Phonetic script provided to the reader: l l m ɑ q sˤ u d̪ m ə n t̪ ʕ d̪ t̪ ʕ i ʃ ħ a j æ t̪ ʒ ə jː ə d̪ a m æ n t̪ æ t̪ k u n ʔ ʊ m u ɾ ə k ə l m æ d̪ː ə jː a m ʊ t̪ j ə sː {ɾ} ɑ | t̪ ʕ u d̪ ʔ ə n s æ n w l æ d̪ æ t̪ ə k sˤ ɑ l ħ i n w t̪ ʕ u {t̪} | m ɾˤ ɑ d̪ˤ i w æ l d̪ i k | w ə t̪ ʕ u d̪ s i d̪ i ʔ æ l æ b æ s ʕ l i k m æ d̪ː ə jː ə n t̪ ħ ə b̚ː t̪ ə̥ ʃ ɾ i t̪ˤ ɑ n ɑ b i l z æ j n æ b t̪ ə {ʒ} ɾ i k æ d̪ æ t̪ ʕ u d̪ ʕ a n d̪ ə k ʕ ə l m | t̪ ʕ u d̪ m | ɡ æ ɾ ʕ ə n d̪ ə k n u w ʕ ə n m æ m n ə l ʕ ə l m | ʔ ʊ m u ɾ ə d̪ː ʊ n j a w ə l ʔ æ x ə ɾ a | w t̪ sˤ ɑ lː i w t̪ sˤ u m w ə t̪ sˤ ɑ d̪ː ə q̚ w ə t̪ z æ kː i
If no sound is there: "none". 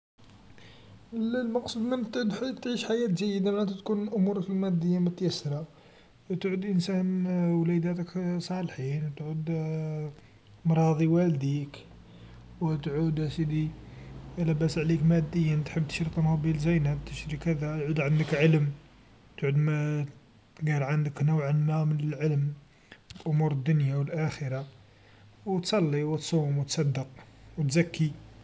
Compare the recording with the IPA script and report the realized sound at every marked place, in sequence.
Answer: ɾ, d̪, ʃ

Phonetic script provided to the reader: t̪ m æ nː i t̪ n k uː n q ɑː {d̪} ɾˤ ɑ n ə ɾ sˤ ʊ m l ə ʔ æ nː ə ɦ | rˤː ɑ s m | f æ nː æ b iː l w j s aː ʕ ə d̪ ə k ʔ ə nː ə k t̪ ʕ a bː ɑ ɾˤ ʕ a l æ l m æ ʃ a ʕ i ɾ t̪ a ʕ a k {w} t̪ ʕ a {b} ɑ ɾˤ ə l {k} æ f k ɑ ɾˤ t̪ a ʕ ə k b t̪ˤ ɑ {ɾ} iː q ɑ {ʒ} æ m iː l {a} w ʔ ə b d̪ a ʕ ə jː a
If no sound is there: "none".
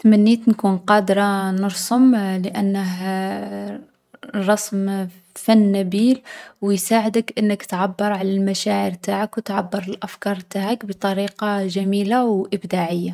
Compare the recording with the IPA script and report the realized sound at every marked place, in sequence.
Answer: d̪, w, bː, ʔ, ɾ, ʒ, a

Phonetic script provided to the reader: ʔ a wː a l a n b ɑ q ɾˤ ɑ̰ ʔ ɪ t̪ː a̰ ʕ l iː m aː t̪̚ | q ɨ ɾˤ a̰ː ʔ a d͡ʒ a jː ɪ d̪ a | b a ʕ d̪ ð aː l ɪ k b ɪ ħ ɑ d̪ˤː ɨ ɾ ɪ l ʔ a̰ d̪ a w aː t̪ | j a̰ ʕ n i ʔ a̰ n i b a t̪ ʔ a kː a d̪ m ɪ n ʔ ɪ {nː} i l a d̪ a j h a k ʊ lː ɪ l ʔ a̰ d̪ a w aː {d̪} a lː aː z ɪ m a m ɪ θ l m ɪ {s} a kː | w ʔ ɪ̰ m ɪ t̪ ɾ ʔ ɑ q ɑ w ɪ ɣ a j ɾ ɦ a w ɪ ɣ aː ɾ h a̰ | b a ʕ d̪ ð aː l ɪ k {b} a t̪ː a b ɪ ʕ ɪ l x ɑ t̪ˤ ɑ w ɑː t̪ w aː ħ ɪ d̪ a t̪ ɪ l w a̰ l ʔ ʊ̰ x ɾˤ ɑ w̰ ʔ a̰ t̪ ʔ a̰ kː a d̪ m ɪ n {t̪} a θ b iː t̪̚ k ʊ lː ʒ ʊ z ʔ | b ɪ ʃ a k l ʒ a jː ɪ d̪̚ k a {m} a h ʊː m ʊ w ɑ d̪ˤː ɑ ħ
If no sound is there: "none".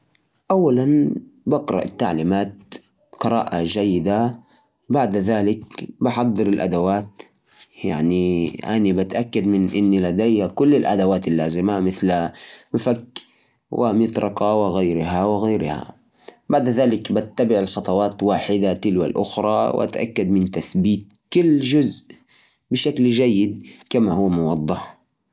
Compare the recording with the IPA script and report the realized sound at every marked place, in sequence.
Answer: nː, t̪, f, b, t̪, m

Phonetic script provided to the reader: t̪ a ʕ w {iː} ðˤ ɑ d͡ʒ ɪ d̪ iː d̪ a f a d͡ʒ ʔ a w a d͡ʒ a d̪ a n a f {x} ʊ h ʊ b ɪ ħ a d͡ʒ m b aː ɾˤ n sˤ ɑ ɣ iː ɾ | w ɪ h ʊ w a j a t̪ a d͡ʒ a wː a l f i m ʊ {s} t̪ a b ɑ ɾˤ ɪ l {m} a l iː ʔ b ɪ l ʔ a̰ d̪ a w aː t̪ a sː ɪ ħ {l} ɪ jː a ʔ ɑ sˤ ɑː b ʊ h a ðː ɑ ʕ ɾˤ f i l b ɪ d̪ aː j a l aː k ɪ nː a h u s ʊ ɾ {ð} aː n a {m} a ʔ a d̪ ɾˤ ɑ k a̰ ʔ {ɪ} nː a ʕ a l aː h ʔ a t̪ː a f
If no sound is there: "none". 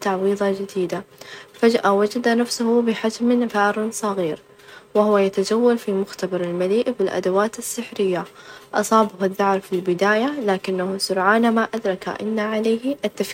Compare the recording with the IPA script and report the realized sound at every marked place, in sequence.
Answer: iː, s, x, m, ɾ, ʕ, m, ɪ

